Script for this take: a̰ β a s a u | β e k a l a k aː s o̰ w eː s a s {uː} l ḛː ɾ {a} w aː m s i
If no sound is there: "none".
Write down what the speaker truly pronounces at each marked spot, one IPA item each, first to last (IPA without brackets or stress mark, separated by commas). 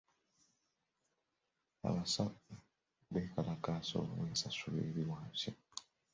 u, i